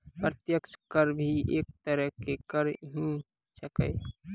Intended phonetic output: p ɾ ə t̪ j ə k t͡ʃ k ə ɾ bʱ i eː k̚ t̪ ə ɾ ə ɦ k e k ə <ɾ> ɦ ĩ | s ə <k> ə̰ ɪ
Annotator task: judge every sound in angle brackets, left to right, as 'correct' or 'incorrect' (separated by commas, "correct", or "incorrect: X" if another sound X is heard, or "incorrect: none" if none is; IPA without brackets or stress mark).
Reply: correct, correct